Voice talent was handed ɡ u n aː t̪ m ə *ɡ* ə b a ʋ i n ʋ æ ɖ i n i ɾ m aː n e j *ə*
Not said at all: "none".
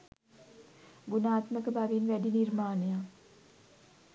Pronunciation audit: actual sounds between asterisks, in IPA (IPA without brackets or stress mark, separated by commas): k, a